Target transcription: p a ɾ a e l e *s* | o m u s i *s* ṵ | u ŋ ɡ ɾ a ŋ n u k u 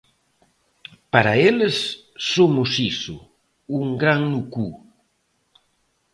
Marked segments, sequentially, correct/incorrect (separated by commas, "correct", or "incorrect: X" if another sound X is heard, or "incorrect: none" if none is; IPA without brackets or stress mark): incorrect: sː, correct